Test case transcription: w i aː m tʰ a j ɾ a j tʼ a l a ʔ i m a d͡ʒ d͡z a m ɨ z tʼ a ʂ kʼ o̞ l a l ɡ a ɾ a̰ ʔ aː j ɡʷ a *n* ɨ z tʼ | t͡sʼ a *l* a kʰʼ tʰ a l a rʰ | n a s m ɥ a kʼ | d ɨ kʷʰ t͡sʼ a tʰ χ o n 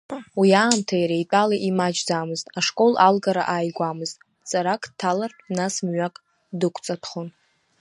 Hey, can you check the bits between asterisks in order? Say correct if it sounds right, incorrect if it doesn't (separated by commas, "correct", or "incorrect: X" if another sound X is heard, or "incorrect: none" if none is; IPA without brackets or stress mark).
incorrect: m, incorrect: ɾ